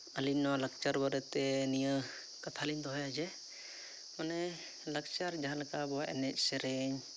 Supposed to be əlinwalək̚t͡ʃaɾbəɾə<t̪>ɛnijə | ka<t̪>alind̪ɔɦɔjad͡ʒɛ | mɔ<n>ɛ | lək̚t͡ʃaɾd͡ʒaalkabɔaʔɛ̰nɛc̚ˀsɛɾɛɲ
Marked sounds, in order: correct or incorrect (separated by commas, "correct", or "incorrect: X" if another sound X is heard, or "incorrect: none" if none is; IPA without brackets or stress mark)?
correct, incorrect: t̪ʰ, correct